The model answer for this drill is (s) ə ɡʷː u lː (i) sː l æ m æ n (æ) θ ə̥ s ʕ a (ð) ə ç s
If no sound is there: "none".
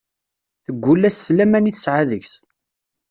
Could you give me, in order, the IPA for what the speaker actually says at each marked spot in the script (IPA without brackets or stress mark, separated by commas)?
θ, æ, i, ð